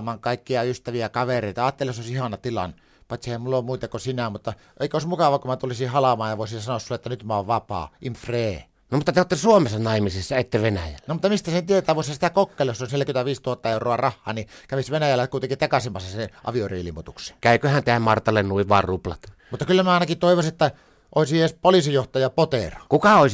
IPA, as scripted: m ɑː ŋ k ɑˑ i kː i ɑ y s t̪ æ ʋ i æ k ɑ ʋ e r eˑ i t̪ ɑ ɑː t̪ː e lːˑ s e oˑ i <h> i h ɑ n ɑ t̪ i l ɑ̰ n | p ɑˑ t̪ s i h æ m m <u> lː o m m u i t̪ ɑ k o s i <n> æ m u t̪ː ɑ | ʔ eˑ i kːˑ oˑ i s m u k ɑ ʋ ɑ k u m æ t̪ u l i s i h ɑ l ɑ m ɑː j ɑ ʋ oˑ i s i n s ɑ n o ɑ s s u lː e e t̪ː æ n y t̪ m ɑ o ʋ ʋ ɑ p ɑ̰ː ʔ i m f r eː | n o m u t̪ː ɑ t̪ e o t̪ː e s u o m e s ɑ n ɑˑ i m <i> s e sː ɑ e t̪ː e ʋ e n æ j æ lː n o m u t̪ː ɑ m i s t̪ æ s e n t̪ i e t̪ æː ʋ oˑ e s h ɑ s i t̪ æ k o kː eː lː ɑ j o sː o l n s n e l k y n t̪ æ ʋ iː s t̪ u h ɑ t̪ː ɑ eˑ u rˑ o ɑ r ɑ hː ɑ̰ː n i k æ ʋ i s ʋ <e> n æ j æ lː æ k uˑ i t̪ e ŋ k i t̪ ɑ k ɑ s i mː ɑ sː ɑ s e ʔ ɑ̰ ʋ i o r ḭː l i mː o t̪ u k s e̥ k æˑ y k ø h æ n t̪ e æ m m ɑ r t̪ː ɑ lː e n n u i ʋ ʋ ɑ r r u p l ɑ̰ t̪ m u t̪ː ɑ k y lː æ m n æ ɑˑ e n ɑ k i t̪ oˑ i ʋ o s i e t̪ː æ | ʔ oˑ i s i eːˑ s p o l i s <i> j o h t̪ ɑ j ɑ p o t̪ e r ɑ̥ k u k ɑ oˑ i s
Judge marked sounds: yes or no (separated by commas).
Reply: no, yes, yes, yes, yes, yes